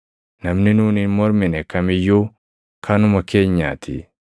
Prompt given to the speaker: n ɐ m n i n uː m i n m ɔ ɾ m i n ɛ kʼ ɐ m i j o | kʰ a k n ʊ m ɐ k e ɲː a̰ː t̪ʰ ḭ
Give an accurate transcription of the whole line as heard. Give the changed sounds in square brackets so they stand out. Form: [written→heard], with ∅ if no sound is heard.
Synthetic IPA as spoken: n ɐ m n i n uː [m→n] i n m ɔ ɾ m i n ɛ [kʼ→k] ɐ m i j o | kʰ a [k→∅] n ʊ m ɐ k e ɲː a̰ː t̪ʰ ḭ